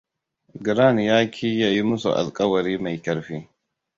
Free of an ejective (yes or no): no